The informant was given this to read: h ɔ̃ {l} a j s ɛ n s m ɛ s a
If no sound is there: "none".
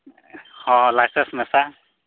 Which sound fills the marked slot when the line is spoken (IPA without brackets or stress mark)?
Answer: l